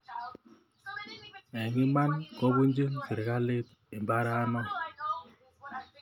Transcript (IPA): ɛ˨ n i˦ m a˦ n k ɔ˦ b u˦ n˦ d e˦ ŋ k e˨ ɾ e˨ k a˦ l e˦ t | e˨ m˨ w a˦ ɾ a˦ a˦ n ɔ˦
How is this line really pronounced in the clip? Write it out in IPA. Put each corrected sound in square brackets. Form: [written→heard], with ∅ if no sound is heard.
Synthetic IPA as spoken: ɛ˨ [n→ŋ] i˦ m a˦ n k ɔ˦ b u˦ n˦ [d→d͡ʒ] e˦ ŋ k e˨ ɾ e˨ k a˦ l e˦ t | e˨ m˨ [w→b] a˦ ɾ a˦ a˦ n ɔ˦